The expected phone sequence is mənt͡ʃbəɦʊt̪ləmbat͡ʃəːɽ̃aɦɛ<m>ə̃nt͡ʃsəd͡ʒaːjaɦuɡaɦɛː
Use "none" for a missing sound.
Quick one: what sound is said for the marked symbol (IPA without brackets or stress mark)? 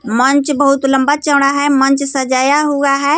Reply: m